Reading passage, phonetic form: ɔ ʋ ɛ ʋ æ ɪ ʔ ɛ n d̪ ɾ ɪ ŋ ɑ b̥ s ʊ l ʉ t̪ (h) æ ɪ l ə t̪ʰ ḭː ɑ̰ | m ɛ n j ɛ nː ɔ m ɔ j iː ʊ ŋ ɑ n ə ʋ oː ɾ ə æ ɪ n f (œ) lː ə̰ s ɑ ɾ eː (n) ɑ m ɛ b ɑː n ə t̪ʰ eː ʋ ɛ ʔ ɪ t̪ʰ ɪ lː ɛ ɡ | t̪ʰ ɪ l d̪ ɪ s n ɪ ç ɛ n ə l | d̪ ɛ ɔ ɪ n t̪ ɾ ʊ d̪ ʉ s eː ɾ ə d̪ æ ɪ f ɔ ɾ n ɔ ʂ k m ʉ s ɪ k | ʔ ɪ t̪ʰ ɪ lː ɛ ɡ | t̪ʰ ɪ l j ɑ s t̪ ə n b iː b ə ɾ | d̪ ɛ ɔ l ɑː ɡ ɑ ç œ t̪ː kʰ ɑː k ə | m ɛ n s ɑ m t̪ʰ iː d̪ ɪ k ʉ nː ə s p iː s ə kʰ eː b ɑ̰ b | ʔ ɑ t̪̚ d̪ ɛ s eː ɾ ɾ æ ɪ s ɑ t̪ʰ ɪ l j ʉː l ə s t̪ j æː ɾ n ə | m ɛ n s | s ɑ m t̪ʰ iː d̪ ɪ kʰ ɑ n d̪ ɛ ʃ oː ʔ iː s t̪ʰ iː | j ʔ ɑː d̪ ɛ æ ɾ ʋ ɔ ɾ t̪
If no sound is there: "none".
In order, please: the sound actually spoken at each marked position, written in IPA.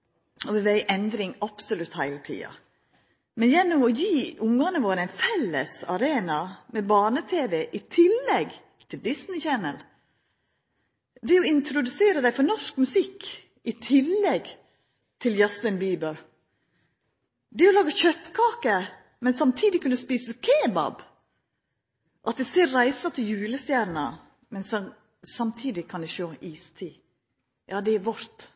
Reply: h, ɛ, n

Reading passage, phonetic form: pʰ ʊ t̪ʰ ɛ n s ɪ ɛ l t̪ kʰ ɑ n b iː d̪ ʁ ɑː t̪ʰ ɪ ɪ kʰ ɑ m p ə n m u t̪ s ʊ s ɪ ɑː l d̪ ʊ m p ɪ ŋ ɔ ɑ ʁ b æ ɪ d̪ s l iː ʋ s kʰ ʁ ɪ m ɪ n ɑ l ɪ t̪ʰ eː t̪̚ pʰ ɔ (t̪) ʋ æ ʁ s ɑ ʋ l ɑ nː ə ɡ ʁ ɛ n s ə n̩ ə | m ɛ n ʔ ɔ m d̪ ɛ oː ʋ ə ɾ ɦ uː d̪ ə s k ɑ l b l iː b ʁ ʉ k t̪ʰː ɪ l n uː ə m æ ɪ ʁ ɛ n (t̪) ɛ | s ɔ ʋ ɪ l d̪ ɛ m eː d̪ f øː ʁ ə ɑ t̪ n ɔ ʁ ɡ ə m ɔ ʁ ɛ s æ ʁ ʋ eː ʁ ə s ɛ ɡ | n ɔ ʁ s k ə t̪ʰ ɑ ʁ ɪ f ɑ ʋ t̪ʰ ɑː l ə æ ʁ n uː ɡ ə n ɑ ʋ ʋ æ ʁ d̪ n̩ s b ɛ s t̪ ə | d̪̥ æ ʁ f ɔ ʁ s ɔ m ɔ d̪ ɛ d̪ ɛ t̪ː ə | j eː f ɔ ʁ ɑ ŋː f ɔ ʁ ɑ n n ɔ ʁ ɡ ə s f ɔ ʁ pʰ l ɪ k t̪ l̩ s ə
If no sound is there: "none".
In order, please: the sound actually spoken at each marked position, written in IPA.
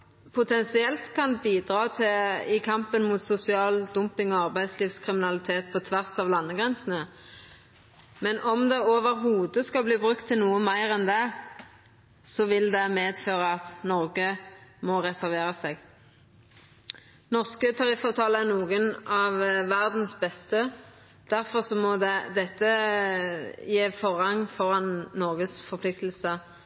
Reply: t̪ʰ, d̪

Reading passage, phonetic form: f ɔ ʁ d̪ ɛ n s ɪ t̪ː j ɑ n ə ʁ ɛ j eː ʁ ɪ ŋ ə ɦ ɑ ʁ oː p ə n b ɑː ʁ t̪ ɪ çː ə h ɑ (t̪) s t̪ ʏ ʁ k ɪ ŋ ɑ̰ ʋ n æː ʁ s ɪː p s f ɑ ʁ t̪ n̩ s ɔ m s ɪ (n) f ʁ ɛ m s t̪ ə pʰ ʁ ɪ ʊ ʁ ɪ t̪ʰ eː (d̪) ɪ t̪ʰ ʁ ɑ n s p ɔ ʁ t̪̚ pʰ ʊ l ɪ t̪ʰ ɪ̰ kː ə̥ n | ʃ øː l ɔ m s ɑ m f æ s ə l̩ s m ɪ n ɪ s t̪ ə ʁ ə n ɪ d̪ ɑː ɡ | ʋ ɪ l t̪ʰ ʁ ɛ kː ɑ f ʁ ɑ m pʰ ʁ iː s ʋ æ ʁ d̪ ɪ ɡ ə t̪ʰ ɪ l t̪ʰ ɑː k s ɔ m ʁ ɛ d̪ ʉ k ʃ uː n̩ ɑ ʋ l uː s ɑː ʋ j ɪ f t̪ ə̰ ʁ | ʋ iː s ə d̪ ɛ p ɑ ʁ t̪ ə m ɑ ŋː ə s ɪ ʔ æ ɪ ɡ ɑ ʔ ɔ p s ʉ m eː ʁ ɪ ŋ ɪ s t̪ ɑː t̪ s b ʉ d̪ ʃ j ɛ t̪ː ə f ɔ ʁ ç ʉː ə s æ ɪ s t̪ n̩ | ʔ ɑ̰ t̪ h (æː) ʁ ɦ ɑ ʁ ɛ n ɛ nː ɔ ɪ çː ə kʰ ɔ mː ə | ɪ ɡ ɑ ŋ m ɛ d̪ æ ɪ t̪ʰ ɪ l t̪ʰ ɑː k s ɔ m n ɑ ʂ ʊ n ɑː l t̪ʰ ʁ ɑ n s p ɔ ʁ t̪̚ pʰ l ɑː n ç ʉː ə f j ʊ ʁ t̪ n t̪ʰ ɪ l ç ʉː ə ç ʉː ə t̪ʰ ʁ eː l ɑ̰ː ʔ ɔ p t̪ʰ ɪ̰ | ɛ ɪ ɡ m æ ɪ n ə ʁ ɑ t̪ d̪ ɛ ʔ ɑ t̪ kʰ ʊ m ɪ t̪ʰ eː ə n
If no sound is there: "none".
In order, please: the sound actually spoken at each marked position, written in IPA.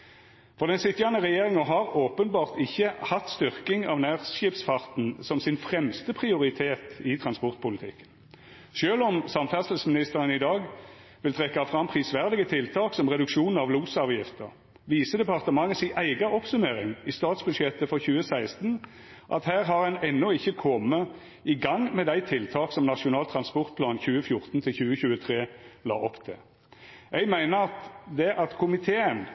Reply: t̪, n, t̪, æː

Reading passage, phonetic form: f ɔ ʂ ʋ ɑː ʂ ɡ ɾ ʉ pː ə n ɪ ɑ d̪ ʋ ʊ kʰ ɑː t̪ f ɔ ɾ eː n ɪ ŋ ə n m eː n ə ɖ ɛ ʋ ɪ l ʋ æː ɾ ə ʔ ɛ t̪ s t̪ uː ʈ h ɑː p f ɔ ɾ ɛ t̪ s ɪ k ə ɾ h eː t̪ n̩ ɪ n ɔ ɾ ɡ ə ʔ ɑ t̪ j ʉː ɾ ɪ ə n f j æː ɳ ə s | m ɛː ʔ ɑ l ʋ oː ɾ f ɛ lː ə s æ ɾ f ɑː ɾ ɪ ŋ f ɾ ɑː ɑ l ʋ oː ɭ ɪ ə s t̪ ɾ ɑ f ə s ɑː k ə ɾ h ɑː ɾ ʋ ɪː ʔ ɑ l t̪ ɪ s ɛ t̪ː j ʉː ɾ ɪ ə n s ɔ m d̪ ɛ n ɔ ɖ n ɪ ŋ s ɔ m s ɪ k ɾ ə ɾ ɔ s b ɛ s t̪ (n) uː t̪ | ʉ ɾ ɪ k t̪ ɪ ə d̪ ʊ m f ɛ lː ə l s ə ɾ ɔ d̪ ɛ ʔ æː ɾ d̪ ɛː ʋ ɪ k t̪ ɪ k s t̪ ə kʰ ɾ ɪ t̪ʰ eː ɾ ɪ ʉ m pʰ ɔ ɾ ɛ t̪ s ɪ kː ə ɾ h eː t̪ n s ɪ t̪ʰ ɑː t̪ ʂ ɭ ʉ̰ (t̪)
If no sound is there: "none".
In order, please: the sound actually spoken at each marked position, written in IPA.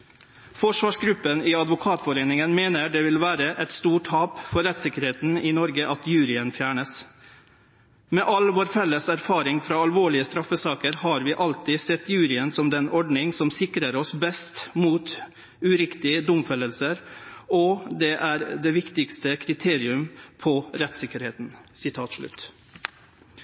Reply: m, t̪

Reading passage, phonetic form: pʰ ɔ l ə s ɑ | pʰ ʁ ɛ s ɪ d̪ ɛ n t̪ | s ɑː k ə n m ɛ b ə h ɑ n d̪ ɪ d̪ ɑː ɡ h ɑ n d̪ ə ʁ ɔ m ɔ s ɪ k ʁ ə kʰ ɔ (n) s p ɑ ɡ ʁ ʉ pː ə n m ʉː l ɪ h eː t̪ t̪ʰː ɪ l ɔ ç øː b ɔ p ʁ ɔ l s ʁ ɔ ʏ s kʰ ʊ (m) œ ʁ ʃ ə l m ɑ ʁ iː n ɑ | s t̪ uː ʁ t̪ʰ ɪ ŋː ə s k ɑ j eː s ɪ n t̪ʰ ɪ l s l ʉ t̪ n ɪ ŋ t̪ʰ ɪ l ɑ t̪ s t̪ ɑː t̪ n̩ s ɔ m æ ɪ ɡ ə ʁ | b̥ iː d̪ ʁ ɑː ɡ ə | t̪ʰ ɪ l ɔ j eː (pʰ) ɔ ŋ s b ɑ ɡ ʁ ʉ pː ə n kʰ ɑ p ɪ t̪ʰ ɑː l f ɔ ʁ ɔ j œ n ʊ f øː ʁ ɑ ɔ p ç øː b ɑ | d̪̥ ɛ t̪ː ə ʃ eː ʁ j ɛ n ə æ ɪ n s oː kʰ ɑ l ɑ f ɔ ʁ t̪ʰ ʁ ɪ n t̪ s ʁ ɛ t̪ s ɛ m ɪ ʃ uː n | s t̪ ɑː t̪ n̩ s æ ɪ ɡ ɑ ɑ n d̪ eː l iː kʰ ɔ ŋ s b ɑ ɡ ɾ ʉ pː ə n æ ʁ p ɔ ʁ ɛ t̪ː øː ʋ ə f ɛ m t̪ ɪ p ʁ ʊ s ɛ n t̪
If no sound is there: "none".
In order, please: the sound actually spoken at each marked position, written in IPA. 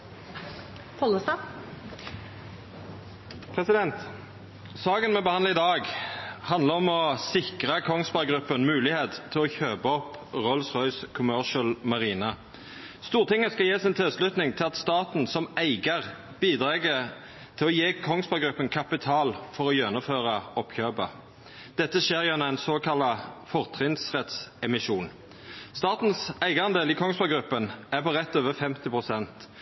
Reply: ŋ, m, kʰ

